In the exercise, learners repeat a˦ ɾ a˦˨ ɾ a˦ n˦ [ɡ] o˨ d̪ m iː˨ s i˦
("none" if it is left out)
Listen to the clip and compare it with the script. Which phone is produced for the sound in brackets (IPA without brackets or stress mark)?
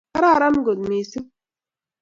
ɡ